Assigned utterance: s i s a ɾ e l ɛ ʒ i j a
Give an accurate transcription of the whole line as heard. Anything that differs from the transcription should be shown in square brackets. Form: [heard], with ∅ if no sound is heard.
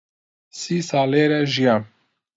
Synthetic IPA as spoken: s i s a [l] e [ɾ] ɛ ʒ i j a